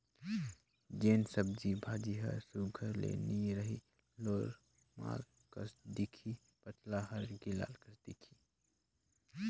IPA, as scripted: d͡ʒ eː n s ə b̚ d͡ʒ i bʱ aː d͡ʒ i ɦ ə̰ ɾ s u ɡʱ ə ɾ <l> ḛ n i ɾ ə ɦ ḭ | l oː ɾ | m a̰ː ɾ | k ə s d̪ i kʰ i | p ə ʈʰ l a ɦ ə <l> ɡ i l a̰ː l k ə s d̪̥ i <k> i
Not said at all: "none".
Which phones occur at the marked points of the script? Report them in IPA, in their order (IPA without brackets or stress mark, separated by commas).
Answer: l, ɾ, kʰ